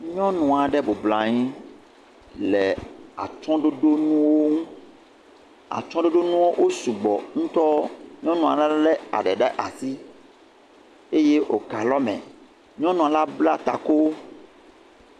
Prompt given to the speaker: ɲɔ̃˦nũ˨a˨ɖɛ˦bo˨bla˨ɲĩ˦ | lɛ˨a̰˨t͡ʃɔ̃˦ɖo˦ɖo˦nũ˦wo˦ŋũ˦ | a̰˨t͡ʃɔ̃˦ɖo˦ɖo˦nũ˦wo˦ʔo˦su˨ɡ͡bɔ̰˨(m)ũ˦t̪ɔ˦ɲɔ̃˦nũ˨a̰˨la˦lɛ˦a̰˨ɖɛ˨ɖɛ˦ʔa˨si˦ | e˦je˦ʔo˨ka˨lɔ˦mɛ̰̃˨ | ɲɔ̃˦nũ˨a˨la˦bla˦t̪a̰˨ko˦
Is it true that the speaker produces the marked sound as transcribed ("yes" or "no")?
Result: no